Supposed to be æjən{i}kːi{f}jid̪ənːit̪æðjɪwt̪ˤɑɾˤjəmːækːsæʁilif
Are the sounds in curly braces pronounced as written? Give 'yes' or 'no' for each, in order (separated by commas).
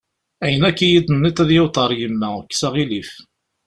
no, no